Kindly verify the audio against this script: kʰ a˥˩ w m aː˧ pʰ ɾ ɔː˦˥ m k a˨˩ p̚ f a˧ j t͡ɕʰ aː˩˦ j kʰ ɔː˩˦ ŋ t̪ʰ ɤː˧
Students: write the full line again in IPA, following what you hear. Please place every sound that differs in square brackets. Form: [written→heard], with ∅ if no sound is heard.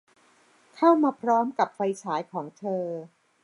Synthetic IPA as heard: kʰ a˥˩ w m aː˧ pʰ ɾ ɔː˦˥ m k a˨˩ p̚ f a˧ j t͡ɕʰ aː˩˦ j kʰ ɔː˩˦ ŋ t̪ʰ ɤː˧